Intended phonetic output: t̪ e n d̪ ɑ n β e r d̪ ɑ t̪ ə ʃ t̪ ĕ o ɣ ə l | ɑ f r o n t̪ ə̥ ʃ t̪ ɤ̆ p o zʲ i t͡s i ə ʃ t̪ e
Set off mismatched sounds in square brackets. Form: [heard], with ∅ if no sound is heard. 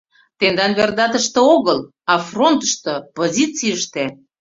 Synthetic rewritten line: t̪ e n d̪ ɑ n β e r d̪ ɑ t̪ ə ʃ t̪ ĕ o ɣ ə l | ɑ f r o n t̪ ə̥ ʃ t̪ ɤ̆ p o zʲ i t͡s i ə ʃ t̪ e